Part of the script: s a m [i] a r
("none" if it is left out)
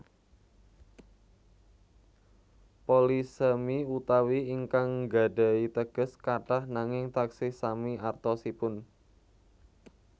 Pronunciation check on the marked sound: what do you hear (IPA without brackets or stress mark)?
i